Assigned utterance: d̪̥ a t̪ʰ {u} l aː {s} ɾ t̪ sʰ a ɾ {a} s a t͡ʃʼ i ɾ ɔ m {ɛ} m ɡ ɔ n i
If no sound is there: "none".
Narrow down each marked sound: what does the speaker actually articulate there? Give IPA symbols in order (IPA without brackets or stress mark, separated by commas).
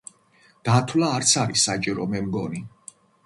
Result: w, none, i, ɛ